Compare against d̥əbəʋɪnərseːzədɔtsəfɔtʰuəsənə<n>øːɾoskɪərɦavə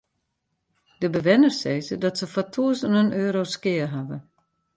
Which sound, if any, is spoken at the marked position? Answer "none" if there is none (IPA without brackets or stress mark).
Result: n